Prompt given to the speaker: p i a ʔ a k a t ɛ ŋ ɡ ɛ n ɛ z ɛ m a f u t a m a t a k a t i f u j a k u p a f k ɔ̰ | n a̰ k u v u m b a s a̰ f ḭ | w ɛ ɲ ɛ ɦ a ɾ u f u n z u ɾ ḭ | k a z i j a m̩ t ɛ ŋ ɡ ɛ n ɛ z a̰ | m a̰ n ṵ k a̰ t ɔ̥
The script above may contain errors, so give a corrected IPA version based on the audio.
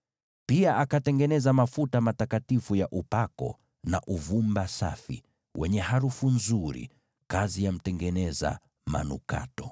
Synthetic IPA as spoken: p i a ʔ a k a t ɛ ŋ ɡ ɛ n ɛ z a m a f u t a m a t a k a t i f u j a ʔ u p a k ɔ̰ | n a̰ ʔ u v u m b a s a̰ f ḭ | w ɛ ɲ ɛ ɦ a ɾ u f u n z u ɾ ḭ | k a z i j a m̩ t ɛ ŋ ɡ ɛ n ɛ z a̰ | m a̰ n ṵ k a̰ t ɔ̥

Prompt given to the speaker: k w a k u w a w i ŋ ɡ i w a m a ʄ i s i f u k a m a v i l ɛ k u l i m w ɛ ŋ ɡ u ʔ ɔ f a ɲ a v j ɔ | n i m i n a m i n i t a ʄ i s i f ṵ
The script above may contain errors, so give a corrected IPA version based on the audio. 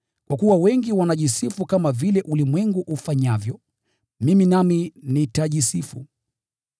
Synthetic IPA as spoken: k w a k u w a w ɛ ŋ ɡ i w a n a ʄ i s i f u k a m a v i l ɛ ʔ u l i m w ɛ ŋ ɡ u ʔ u f a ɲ a v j ɔ | m i m i n a m i n i t a ʄ i s i f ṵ

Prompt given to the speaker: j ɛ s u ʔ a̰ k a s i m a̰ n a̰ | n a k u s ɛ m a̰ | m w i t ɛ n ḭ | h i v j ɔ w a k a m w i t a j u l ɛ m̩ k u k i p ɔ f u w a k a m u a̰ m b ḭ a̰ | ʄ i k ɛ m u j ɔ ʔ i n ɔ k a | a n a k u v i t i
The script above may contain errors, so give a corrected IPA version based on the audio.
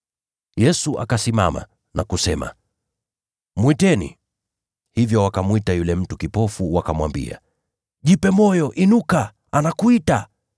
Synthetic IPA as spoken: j ɛ s u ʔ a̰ k a s i m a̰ m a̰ | n a k u s ɛ m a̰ | m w i t ɛ n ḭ | h i v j ɔ w a k a m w i t a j u l ɛ m̩ t u k i p ɔ f u w a k a m w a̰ m b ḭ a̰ | ʄ i p ɛ m ɔ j ɔ ʔ i n u k a | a n a k u i t a

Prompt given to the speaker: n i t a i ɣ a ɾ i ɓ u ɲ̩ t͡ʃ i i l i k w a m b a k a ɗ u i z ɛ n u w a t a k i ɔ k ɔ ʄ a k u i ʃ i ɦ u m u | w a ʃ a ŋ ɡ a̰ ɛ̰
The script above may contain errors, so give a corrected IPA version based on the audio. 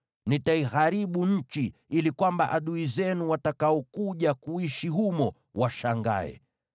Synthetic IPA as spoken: n i t a i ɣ a ɾ i ɓ u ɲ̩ t͡ʃ i i l i k w a m b a ʔ a ɗ u i z ɛ n u w a t a k a ɔ k u ʄ a k u i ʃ i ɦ u m ɔ | w a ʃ a ŋ ɡ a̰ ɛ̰

